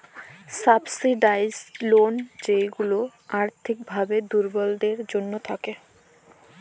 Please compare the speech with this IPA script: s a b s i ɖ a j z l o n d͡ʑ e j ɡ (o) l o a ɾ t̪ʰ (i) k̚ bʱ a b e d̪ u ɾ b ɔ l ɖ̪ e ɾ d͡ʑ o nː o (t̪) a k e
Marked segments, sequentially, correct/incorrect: incorrect, correct, incorrect

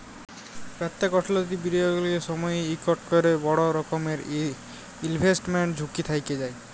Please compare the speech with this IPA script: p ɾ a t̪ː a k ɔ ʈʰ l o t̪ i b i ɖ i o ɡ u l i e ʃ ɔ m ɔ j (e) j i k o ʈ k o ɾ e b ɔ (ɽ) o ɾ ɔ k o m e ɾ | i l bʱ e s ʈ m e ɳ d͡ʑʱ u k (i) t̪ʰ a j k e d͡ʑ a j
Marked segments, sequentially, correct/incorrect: correct, correct, correct

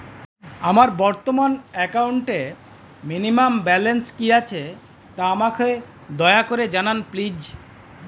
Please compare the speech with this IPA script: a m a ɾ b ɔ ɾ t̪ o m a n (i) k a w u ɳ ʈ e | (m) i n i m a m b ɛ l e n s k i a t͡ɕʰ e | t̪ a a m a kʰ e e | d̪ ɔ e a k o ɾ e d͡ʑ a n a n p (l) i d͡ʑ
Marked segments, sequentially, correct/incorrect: incorrect, correct, correct

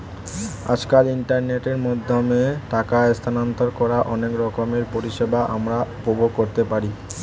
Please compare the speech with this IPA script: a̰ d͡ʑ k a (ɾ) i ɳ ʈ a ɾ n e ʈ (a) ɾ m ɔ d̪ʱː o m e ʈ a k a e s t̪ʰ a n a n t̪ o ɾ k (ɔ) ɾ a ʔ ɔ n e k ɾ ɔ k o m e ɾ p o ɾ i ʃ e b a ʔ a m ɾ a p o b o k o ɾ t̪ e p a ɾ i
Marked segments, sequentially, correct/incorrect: incorrect, incorrect, correct

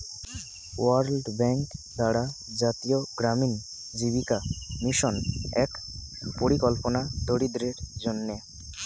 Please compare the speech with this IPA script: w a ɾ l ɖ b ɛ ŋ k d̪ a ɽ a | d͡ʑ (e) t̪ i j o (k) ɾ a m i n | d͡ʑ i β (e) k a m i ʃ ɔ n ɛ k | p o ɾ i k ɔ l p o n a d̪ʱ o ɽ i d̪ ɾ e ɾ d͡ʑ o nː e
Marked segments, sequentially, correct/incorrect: incorrect, incorrect, incorrect

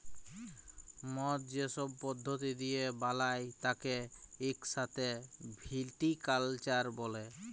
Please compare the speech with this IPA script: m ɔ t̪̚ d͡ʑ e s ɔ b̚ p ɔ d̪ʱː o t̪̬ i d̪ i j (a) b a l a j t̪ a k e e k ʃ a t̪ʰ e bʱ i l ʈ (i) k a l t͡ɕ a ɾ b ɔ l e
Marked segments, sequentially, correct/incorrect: incorrect, correct

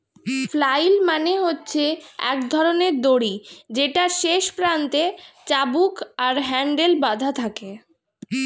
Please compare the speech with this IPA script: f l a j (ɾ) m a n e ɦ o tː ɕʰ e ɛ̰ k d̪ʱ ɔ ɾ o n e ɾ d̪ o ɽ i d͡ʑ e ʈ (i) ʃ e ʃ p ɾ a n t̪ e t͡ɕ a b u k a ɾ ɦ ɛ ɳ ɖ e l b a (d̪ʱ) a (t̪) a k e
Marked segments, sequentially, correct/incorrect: incorrect, incorrect, correct, incorrect

